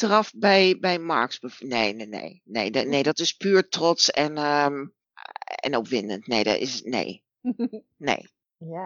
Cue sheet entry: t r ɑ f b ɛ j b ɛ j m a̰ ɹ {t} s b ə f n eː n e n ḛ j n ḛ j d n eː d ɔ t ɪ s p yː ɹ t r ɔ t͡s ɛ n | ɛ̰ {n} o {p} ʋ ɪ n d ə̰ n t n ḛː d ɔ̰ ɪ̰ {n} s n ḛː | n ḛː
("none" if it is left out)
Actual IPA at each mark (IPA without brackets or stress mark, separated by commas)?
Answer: k, n, p, none